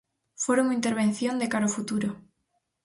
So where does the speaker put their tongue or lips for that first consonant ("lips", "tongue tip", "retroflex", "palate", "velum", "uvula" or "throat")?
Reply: lips